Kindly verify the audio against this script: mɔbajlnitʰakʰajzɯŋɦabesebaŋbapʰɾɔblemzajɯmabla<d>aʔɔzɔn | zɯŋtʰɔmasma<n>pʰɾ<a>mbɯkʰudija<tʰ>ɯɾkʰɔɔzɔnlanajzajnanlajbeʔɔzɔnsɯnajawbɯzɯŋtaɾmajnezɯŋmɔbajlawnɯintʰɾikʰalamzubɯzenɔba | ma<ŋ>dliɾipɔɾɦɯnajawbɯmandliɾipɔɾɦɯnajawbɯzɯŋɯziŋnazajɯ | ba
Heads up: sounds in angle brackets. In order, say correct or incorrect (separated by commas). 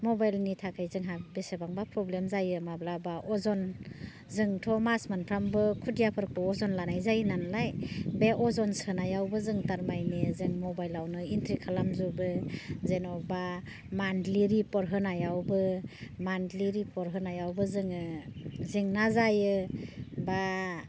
incorrect, correct, correct, incorrect, incorrect